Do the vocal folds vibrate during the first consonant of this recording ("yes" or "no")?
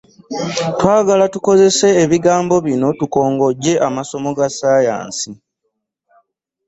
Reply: no